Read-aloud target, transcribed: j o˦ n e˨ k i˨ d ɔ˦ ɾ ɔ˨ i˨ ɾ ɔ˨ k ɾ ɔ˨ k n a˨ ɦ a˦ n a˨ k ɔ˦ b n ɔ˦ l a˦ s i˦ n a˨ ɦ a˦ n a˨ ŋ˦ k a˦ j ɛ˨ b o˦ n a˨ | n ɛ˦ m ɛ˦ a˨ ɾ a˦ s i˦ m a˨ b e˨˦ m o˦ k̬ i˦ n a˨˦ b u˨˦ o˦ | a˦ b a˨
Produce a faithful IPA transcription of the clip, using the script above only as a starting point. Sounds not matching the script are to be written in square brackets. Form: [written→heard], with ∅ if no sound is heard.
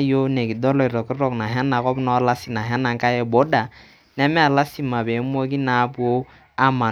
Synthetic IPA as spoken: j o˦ n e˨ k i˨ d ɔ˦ [ɾ→l] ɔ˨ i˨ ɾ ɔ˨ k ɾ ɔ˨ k n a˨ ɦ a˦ n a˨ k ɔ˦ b n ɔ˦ l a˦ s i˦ n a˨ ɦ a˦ n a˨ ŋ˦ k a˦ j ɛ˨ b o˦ [n→d] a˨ | n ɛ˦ m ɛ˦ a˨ [ɾ→l] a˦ s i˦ m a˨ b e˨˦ m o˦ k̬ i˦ n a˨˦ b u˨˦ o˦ | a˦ [b→m] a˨